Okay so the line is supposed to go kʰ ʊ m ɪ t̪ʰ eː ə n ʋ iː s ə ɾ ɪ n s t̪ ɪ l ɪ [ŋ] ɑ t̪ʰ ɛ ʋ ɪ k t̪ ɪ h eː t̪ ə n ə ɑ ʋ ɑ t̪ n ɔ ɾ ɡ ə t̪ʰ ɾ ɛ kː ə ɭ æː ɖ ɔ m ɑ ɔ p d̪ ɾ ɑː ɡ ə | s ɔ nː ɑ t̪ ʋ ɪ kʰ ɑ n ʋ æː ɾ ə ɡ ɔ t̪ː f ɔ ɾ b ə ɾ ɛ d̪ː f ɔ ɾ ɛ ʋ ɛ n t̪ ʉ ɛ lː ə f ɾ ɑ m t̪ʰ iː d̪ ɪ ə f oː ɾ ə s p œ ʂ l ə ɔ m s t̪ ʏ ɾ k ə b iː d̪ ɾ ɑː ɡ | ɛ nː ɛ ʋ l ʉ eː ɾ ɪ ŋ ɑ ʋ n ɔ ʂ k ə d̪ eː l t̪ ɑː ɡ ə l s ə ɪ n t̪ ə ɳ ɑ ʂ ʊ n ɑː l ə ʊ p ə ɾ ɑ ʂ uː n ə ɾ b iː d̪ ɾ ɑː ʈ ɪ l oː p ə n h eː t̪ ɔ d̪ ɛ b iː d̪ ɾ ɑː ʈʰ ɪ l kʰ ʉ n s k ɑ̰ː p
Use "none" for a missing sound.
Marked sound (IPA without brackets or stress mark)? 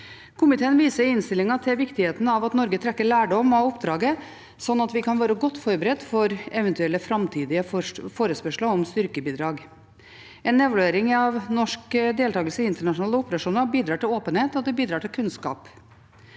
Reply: ŋ